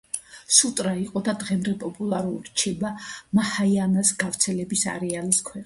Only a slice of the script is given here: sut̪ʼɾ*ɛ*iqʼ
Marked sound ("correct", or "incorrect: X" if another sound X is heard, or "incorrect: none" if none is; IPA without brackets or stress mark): incorrect: a